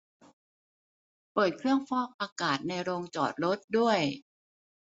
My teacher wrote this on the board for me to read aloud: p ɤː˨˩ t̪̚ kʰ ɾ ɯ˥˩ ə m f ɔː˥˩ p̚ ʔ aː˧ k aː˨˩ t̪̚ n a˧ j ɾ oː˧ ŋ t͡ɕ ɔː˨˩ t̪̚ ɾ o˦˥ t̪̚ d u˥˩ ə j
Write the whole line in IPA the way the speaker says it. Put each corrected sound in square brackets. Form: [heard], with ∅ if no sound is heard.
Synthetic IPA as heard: p ɤː˨˩ t̪̚ kʰ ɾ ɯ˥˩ ə [ŋ] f ɔː˥˩ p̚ ʔ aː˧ k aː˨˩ t̪̚ n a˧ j ɾ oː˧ ŋ t͡ɕ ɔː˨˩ t̪̚ ɾ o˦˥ t̪̚ d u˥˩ ə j